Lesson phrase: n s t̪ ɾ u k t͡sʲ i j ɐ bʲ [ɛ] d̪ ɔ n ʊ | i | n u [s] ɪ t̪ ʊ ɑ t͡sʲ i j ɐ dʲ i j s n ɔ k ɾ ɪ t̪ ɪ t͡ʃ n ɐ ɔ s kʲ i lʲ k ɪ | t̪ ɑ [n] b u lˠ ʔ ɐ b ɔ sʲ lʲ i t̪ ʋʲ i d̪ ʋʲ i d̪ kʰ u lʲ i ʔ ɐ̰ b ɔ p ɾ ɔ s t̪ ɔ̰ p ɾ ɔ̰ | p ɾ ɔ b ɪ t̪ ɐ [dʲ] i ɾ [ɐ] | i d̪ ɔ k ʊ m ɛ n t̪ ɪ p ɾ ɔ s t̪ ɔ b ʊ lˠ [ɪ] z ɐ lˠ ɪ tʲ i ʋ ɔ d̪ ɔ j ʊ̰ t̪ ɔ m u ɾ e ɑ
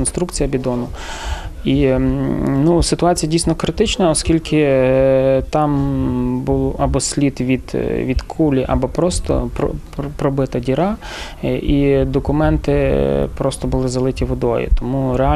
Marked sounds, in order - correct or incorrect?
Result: incorrect: i, correct, incorrect: m, correct, incorrect: ɑ, correct

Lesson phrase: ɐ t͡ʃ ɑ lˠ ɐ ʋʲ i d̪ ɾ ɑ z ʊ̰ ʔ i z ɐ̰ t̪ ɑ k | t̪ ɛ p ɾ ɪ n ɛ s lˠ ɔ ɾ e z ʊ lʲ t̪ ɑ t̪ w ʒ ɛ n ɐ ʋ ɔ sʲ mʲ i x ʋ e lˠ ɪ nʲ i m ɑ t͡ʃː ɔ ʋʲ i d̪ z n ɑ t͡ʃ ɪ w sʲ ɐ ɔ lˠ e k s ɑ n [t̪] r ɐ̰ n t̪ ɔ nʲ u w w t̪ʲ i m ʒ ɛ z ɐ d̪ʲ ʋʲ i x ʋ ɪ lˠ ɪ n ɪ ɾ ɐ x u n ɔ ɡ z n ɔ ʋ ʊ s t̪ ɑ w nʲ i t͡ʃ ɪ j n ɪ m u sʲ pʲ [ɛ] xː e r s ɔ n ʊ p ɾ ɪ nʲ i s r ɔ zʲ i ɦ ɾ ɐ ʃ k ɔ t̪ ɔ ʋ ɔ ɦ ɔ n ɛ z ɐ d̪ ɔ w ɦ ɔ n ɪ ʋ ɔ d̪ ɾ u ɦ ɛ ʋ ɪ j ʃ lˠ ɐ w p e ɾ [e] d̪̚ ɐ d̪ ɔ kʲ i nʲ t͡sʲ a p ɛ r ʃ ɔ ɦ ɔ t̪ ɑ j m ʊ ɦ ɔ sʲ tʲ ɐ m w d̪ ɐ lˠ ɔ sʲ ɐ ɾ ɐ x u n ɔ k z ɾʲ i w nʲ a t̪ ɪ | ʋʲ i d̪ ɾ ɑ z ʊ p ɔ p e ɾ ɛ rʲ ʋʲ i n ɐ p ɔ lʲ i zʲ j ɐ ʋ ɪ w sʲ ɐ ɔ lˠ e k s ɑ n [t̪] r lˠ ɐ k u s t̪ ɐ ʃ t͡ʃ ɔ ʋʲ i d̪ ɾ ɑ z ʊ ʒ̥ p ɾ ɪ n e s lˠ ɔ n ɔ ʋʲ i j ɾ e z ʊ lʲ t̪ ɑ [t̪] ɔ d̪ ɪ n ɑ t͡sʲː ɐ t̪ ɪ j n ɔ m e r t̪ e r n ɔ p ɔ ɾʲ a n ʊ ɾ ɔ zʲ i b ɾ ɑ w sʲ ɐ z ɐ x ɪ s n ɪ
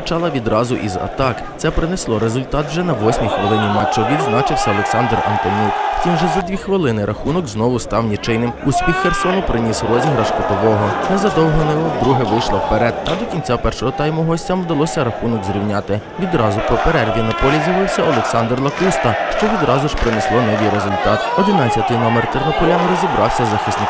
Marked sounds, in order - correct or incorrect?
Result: incorrect: d̪, incorrect: i, incorrect: ɛ, incorrect: d̪, correct

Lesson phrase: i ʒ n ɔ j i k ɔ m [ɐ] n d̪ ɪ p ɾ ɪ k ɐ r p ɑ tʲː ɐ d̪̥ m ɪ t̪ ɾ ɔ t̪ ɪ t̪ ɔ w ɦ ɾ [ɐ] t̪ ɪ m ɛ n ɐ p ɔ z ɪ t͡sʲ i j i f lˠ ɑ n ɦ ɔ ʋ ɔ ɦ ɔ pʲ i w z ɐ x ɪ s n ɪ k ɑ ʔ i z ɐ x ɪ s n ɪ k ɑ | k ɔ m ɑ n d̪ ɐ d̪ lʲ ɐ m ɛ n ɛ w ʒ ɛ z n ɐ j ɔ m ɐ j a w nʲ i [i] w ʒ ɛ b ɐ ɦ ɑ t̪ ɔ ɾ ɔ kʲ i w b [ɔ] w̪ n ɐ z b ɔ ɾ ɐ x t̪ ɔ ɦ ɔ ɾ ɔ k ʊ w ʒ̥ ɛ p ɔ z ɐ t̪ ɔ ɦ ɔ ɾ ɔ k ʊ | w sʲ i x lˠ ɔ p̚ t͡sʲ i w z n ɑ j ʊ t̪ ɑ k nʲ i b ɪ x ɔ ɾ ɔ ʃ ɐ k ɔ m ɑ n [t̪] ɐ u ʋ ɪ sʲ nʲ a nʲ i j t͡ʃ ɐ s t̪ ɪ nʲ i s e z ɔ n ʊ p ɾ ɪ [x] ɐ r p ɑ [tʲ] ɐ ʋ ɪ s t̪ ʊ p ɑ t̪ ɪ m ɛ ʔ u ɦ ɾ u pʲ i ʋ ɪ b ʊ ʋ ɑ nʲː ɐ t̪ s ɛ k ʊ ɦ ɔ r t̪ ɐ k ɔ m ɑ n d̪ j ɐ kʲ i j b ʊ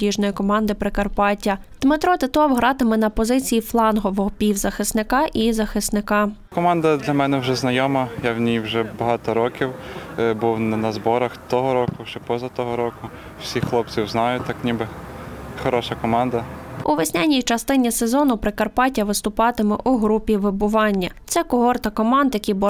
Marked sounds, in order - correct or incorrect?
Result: incorrect: ɑ, incorrect: ɑ, incorrect: j, incorrect: u, incorrect: d̪, incorrect: k, correct

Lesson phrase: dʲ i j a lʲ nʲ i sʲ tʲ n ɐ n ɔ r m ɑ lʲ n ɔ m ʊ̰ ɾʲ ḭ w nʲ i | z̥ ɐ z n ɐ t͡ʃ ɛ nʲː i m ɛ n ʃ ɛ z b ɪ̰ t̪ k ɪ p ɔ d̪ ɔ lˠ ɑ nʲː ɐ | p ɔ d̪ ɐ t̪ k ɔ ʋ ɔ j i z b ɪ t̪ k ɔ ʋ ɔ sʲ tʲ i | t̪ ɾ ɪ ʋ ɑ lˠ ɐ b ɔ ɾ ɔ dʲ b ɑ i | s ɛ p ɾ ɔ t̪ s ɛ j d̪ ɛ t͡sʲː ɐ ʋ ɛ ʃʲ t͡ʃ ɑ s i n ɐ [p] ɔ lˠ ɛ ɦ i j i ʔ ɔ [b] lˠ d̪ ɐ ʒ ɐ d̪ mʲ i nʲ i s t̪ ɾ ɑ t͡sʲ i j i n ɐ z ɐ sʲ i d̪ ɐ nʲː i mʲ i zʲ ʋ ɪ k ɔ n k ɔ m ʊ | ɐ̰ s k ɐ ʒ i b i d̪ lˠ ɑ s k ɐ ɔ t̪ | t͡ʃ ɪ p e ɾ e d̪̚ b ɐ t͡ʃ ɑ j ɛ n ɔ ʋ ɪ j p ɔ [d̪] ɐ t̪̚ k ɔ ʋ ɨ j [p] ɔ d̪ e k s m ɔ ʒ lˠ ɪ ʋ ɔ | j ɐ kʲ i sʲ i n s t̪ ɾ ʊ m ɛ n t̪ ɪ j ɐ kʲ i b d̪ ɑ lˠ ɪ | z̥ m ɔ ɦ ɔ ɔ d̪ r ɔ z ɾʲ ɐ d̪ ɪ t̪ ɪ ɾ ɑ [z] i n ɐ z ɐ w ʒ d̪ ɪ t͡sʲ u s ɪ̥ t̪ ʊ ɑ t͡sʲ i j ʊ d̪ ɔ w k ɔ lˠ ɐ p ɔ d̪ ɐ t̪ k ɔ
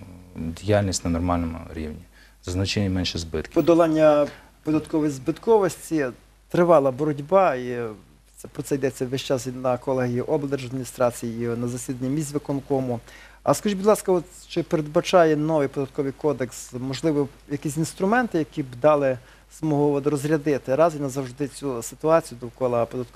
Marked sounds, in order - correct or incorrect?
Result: incorrect: k, correct, correct, incorrect: k, correct

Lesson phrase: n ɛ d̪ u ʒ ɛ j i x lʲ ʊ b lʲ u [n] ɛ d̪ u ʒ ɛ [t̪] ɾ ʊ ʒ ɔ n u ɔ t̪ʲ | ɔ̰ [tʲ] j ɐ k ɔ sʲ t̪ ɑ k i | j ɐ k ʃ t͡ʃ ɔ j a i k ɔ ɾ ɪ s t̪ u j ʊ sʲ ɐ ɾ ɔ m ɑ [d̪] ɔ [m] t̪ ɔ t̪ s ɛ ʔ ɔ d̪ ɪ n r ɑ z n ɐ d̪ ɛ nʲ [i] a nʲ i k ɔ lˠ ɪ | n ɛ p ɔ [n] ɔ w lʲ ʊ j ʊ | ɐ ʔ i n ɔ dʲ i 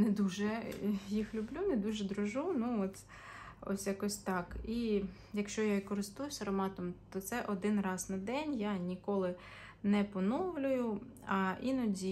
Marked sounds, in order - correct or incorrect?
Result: correct, incorrect: d̪, incorrect: sʲ, incorrect: t̪, correct, incorrect: j, correct

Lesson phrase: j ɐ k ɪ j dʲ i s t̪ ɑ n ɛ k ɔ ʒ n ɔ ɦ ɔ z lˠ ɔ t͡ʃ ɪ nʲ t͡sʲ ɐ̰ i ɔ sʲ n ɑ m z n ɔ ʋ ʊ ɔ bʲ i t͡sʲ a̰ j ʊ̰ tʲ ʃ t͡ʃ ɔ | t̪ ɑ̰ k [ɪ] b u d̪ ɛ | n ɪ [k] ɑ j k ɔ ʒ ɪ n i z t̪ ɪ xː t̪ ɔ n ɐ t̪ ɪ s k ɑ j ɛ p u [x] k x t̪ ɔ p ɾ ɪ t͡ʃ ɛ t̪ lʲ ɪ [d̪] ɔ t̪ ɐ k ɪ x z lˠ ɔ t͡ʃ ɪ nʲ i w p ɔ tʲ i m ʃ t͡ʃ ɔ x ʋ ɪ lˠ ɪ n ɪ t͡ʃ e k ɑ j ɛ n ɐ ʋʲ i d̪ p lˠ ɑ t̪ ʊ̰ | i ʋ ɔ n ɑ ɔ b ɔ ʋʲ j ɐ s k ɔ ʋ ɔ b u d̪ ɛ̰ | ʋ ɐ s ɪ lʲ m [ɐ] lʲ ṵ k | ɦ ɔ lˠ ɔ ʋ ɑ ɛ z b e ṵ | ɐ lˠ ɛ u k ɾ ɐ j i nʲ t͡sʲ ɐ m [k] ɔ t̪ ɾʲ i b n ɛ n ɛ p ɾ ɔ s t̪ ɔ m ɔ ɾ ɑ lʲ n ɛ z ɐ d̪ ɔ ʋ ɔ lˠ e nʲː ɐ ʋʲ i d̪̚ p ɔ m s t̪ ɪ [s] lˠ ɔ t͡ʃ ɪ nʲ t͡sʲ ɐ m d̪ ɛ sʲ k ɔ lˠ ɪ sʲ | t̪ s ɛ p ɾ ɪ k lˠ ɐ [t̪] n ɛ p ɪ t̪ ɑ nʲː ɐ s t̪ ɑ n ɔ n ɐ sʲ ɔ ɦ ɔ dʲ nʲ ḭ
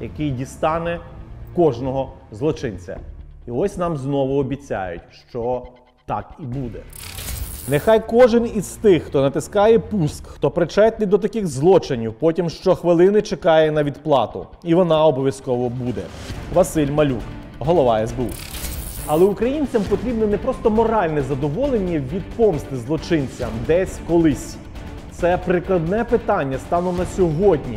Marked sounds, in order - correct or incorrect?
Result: incorrect: i, incorrect: x, incorrect: s, correct, correct, incorrect: p, incorrect: z, incorrect: d̪

